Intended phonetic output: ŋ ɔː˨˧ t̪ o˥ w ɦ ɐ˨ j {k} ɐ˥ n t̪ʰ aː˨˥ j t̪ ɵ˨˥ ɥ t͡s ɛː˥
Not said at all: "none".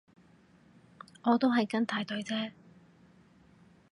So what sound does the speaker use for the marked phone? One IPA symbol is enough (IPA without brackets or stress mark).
k